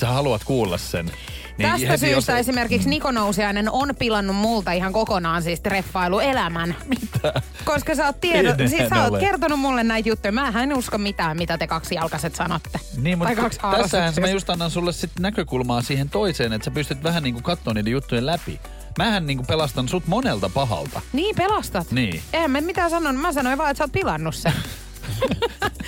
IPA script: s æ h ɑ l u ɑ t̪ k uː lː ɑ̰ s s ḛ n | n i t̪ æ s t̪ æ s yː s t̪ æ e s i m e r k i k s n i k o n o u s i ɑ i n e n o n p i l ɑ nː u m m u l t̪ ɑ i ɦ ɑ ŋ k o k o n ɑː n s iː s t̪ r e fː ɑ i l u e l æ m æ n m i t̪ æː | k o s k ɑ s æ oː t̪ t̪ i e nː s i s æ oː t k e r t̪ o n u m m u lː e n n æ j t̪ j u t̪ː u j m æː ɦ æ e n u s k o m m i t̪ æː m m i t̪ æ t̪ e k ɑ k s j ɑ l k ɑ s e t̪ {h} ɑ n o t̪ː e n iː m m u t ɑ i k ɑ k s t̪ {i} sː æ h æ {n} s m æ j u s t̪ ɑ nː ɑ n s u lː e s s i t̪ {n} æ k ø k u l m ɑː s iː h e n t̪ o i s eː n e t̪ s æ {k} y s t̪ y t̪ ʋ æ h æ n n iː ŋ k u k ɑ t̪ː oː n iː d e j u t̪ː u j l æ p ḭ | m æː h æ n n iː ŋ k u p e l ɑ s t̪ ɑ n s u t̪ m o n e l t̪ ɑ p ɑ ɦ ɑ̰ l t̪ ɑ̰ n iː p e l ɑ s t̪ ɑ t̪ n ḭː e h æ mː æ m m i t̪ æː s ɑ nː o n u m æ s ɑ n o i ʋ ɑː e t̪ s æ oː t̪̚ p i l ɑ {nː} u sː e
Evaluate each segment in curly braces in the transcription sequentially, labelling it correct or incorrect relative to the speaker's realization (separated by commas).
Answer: incorrect, incorrect, correct, correct, incorrect, correct